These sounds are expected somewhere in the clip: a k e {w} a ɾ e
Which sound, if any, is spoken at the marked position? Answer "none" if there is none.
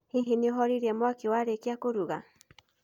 w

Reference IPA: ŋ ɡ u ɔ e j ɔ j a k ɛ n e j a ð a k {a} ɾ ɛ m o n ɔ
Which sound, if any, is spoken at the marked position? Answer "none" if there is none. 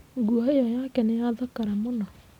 a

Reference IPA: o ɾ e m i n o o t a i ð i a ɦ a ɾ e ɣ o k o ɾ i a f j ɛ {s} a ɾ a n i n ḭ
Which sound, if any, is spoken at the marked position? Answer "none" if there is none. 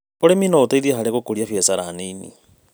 s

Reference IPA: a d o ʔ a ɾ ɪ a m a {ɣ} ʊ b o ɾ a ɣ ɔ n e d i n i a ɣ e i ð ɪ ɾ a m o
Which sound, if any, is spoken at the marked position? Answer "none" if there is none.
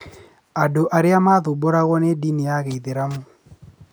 ð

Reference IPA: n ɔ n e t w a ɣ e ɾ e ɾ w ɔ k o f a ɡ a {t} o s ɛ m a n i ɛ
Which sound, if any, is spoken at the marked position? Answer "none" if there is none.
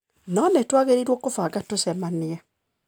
t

